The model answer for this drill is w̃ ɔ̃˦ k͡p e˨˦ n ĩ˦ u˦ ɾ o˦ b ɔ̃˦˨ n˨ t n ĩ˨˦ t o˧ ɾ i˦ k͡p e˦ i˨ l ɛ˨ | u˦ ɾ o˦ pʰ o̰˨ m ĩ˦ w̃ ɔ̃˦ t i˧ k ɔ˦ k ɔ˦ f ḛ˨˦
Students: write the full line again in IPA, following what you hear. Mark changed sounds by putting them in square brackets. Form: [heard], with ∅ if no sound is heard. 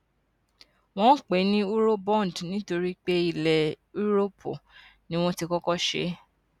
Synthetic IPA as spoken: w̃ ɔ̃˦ k͡p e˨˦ n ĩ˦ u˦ ɾ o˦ b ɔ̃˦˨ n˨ [d] n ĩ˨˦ t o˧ ɾ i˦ k͡p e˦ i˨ l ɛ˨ | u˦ ɾ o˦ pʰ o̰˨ [n] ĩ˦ w̃ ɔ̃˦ t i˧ k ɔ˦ k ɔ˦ [ʃ] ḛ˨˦